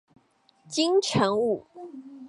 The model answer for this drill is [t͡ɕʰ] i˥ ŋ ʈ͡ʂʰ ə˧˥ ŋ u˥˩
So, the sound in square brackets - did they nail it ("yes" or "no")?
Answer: no